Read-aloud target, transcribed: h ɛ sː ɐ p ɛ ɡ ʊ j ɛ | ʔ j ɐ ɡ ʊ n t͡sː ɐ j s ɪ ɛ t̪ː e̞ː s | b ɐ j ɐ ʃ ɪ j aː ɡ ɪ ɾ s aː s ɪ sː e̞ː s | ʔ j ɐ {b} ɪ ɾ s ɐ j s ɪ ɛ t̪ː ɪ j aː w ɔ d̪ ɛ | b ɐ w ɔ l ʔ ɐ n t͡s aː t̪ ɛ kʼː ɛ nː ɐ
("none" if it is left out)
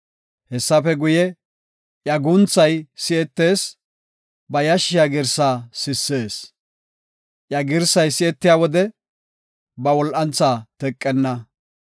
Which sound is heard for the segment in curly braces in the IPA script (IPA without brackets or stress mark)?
ɡ